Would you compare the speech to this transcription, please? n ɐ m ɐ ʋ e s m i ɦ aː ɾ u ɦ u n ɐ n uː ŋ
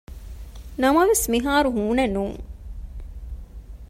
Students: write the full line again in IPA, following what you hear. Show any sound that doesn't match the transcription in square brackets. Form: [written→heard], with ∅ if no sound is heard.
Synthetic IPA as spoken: n ɐ m ɐ ʋ e s m i ɦ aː ɾ u ɦ [u→uː] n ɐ n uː ŋ

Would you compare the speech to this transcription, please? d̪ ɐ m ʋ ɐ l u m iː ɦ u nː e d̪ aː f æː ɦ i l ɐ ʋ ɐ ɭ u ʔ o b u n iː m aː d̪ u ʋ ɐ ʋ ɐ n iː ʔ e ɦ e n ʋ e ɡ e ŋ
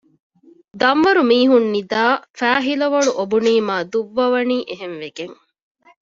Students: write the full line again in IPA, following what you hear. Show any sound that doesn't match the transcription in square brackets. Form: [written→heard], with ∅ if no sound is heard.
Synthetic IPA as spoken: d̪ ɐ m ʋ ɐ [l→ɾ] u m iː ɦ u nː [e→i] d̪ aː f æː ɦ i l ɐ ʋ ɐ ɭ u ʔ o b u n iː m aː d̪ u [ʋ→ʋː] ɐ ʋ ɐ n iː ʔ e ɦ e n ʋ e ɡ e ŋ

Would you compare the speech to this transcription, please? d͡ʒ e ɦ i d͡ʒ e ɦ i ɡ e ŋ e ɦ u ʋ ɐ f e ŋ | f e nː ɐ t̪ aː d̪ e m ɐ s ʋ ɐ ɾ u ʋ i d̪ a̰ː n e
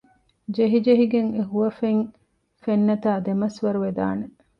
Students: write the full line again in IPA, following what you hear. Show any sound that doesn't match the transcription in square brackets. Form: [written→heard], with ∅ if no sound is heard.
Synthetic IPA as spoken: d͡ʒ e ɦ i d͡ʒ e ɦ i ɡ e ŋ e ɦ u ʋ ɐ f e ŋ | f e nː ɐ t̪ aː d̪ e m ɐ s ʋ ɐ ɾ u ʋ [i→e] d̪ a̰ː n e

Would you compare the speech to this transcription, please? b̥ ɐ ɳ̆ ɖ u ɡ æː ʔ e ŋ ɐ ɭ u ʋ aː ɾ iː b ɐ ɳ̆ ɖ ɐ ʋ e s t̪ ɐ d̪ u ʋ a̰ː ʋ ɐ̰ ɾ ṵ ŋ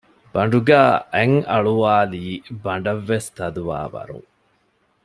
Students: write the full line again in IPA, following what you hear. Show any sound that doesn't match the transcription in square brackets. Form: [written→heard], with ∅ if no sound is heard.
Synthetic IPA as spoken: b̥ ɐ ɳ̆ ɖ u ɡ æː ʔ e ŋ ɐ ɭ u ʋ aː [ɾ→l] iː b ɐ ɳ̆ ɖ ɐ [ʋ→ʋː] e s t̪ ɐ d̪ u ʋ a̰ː ʋ ɐ̰ ɾ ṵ ŋ

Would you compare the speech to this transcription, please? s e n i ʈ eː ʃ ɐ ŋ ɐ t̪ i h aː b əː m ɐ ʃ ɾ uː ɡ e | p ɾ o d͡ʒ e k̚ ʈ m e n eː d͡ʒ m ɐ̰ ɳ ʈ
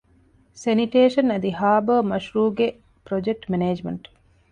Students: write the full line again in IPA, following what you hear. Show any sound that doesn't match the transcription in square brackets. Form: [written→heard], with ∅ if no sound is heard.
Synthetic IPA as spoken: s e n i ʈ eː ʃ ɐ [ŋ→n] ɐ [t̪→d̪] i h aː b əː m ɐ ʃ ɾ uː ɡ e | p ɾ o d͡ʒ e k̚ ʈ m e n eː d͡ʒ m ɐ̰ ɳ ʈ

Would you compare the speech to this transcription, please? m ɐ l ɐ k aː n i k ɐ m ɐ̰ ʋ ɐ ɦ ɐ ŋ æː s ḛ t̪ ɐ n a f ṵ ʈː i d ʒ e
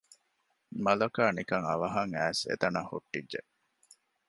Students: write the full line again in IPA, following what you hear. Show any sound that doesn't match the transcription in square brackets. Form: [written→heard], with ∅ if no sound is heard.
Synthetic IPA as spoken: m ɐ l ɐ k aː n i k ɐ [m→ŋ] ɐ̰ ʋ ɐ ɦ ɐ ŋ æː s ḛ t̪ ɐ n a [f→h] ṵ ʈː i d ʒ e

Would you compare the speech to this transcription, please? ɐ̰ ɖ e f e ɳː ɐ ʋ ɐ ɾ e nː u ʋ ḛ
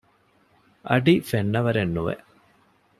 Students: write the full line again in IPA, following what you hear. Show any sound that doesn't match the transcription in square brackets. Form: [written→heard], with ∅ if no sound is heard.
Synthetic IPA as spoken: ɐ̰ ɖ [e→i] f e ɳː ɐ ʋ ɐ ɾ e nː u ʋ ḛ

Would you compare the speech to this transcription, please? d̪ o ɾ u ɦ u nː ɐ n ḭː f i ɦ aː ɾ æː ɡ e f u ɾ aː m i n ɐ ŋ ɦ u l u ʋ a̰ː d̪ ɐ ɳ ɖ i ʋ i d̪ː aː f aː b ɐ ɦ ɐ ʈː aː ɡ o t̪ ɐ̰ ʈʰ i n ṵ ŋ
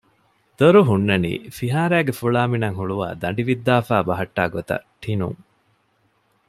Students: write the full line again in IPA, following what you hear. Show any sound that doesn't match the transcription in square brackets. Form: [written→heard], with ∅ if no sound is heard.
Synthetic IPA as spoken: d̪ o ɾ u ɦ u nː ɐ n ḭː f i ɦ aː ɾ æː ɡ e f u [ɾ→ɭ] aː m i n ɐ ŋ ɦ u [l→ɭ] u ʋ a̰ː d̪ ɐ ɳ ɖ i ʋ i d̪ː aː f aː b ɐ ɦ ɐ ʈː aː ɡ o t̪ ɐ̰ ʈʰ i n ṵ ŋ

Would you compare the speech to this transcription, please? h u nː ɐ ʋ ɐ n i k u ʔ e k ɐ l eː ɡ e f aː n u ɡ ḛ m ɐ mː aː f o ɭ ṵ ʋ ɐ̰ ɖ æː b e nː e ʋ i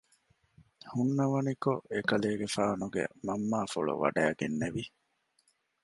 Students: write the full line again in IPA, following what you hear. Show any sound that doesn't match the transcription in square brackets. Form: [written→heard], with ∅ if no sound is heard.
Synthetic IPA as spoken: h u nː ɐ ʋ ɐ n i k [u→o] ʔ e k ɐ l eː ɡ e f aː n u ɡ ḛ m ɐ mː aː f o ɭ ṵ ʋ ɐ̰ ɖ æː [b→ɡ] e nː e ʋ i

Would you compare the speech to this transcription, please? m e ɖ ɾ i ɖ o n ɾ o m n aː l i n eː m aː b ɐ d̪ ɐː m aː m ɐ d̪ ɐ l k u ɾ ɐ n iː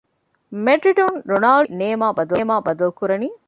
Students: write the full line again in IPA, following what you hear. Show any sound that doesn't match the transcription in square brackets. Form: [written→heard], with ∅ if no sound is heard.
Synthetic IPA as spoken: m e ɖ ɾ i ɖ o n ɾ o [m→∅] n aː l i n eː m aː b ɐ d̪ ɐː m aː [m→b] ɐ d̪ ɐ l k u ɾ ɐ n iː

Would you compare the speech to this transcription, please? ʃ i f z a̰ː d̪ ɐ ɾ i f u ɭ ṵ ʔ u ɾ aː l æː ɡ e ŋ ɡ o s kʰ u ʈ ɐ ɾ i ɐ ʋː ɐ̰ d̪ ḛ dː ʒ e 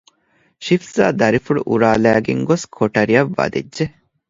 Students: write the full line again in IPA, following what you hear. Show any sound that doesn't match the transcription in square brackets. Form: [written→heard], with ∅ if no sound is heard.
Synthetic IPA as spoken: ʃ i f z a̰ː d̪ ɐ ɾ i f u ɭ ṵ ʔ u ɾ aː l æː ɡ e ŋ ɡ o s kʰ [u→o] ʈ ɐ ɾ i ɐ ʋː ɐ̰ d̪ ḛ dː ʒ e

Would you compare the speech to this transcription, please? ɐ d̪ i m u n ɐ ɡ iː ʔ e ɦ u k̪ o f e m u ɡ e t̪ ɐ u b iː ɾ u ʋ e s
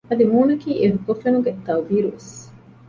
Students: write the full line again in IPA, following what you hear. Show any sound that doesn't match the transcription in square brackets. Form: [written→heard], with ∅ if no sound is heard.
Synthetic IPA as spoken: ɐ d̪ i m [u→uː] n ɐ [ɡ→k] iː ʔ e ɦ u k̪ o f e [m→n] u ɡ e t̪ ɐ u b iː ɾ u ʋ e s

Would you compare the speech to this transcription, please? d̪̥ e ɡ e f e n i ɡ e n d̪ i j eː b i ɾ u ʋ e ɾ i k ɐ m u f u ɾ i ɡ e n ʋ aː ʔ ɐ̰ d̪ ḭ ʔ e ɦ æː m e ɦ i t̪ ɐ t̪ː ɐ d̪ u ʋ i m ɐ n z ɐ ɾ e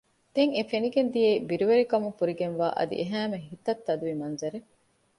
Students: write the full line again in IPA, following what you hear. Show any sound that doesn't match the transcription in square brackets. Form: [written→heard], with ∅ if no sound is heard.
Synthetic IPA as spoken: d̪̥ e [ɡ→ŋ] e f e n i ɡ e n d̪ i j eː b i ɾ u ʋ e ɾ i k ɐ m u f u ɾ i ɡ e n ʋ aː ʔ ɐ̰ d̪ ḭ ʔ e ɦ æː m e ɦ i t̪ ɐ t̪ː ɐ d̪ u ʋ i m ɐ n z ɐ ɾ e

